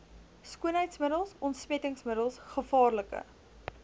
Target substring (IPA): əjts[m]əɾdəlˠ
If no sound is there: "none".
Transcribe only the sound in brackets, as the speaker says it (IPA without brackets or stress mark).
m